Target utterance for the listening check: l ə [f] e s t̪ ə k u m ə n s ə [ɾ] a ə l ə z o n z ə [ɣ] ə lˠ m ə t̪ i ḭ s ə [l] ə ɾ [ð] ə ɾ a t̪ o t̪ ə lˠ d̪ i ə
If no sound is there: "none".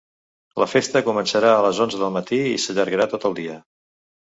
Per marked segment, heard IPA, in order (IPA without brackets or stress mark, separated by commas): f, ɾ, ð, ʎ, ɣ